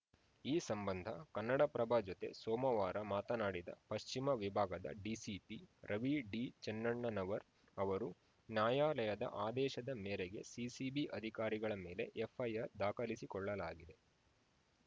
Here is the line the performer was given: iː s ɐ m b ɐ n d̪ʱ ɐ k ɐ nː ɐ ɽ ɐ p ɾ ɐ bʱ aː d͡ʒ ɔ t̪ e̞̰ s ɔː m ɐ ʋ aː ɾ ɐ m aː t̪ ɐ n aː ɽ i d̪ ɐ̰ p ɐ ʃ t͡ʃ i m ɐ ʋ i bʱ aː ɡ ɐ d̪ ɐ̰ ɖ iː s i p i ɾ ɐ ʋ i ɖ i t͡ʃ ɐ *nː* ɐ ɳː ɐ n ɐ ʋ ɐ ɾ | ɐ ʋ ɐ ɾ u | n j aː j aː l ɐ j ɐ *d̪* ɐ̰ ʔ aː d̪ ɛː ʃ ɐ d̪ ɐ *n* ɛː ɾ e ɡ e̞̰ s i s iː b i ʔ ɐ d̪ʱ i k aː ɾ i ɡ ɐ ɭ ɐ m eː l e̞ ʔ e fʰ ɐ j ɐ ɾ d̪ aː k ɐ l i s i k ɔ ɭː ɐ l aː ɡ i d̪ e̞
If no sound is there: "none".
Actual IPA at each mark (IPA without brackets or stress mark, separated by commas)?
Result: nː, d̪, m